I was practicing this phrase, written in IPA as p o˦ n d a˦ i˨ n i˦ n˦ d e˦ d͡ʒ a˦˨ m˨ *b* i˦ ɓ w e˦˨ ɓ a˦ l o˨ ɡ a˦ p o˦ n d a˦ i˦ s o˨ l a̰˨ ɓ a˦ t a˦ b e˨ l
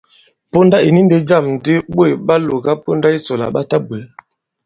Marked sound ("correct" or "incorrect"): incorrect